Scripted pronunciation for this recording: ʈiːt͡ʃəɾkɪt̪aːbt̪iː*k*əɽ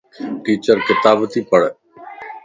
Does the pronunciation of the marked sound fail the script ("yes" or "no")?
yes